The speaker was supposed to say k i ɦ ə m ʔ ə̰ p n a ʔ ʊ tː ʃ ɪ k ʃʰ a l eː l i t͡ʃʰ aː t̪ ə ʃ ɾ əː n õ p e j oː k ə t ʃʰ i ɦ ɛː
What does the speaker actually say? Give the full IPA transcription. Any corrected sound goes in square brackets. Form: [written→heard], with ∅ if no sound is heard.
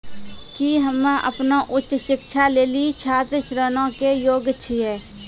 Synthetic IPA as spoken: k i ɦ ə m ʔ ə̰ p n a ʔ ʊ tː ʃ ɪ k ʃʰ a l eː l i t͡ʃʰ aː t̪ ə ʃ ɾ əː n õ [p→k] e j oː [k→ɡ] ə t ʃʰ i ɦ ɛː